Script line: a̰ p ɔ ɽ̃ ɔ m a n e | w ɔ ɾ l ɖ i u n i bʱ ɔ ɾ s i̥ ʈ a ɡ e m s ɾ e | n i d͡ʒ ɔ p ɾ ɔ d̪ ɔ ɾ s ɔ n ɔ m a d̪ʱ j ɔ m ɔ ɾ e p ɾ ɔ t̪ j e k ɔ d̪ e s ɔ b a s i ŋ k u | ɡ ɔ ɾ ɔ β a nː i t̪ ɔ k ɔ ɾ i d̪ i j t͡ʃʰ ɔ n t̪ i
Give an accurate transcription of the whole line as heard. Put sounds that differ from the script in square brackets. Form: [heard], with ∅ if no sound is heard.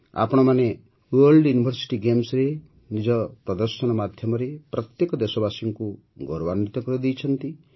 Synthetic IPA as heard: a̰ p ɔ ɽ̃ ɔ m a n e | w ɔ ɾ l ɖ [j] u n i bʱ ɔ ɾ s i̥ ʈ [i] ɡ e m s ɾ e | n i d͡ʒ ɔ p ɾ ɔ d̪ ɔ ɾ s ɔ n ɔ m a d̪ʱ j ɔ m ɔ ɾ e p ɾ ɔ t̪ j e k ɔ d̪ e s ɔ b a s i ŋ k u | ɡ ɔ ɾ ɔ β a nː i t̪ ɔ k ɔ ɾ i d̪ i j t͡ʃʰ ɔ n t̪ i